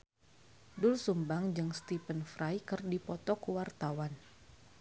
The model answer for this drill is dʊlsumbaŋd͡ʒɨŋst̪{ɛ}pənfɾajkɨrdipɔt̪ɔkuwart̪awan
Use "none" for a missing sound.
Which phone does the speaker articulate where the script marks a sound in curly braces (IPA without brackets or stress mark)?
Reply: i